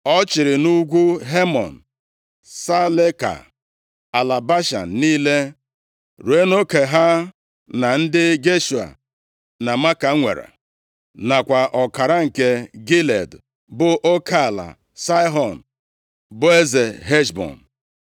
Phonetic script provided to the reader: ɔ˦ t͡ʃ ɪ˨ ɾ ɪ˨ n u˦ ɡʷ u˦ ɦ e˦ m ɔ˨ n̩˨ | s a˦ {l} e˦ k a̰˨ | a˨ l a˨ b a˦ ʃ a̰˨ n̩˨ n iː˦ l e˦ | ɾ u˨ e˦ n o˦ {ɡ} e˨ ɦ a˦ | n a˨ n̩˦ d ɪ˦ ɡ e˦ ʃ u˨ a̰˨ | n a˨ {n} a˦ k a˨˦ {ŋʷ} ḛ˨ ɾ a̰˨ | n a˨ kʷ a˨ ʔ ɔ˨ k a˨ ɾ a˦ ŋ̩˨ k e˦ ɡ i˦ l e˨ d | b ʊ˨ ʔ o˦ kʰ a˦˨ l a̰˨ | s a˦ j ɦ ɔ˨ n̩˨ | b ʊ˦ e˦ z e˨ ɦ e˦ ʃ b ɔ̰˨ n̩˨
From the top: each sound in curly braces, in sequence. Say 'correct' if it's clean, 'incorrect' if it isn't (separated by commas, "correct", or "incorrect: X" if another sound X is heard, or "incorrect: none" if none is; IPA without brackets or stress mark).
correct, incorrect: k, incorrect: m, correct